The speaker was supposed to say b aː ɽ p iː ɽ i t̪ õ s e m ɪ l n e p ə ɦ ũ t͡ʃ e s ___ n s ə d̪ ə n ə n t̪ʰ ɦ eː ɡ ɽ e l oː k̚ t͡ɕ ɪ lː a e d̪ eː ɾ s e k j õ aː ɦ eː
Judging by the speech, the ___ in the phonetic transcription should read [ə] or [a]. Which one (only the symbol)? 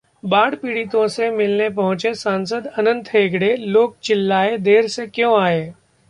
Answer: a